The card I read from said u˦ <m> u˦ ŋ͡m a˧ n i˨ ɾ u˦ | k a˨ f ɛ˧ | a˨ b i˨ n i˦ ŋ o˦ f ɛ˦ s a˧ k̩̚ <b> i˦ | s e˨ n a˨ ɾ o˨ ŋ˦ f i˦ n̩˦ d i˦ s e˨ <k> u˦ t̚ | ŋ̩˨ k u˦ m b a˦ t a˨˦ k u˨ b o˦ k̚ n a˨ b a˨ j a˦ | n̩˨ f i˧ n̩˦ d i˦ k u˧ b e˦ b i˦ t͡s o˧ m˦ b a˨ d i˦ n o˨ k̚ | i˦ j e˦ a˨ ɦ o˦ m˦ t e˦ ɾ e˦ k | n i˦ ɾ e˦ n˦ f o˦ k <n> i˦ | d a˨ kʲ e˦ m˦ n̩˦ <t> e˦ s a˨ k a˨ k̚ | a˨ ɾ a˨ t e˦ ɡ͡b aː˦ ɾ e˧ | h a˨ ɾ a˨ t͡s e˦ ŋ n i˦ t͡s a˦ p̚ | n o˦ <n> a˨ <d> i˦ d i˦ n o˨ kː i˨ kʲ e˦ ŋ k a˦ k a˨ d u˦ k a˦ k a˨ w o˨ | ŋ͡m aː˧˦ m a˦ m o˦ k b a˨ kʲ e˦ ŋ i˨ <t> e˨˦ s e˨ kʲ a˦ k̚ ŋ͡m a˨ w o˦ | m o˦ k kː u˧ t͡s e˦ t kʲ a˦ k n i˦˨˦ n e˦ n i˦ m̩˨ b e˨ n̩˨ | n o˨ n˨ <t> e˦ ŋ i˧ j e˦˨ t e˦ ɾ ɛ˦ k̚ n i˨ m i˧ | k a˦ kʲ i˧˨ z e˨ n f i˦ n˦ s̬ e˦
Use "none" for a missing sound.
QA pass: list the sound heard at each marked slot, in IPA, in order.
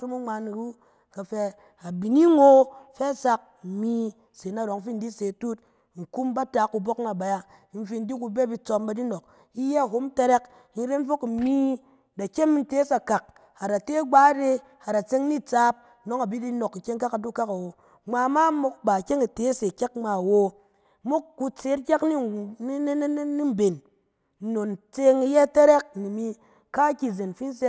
m, m, t, m, t, ŋ, b, t, t͡s

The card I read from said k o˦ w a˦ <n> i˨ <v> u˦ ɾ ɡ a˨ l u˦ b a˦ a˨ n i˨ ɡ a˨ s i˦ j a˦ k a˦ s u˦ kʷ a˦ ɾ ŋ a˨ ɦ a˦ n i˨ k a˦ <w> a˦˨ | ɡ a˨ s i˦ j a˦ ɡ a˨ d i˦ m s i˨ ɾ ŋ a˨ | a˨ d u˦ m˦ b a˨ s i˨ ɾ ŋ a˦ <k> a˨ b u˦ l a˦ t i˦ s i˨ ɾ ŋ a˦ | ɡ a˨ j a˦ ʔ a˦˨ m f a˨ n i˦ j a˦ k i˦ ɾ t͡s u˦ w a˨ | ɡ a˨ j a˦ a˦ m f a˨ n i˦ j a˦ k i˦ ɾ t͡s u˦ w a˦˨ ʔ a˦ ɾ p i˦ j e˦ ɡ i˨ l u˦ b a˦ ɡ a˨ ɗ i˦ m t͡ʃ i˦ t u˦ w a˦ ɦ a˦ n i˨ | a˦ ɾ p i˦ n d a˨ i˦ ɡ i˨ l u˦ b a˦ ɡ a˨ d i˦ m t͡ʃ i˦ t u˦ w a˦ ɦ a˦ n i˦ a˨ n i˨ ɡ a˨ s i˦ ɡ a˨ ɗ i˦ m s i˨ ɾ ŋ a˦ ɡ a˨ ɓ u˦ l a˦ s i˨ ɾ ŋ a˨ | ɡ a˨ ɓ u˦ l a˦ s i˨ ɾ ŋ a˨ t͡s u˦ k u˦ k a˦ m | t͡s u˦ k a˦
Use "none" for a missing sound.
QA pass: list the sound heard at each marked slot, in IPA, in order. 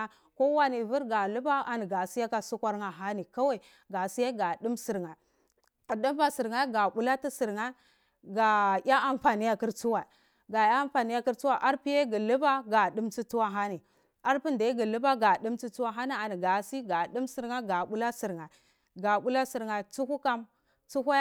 n, v, w, ɡ

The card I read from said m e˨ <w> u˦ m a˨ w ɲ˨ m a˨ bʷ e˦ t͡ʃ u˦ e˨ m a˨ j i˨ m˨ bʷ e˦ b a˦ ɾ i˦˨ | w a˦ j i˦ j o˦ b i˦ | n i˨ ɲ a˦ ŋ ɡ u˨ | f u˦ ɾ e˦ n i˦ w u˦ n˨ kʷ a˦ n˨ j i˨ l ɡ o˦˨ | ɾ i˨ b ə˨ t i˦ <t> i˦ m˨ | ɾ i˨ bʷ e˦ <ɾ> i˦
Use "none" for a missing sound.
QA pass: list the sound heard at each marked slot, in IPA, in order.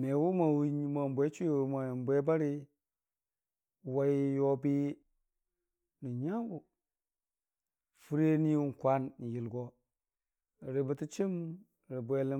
w, t͡ʃ, l

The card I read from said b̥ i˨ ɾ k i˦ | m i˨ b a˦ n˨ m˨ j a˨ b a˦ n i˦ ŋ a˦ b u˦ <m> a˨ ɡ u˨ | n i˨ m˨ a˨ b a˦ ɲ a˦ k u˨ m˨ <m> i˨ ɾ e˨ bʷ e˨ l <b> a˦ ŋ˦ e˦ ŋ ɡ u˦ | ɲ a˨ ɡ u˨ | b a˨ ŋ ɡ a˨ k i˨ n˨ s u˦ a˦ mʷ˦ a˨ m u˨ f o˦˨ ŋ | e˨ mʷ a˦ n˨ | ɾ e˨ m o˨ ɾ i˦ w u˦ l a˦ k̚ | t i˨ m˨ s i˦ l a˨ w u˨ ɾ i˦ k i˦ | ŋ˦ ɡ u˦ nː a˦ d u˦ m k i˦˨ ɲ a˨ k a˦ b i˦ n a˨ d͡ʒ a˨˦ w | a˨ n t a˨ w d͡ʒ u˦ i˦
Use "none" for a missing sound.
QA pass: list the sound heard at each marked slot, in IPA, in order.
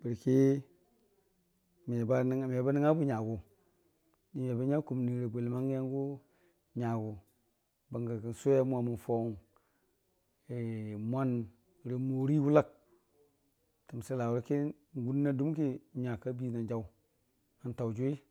ɲ, n, m

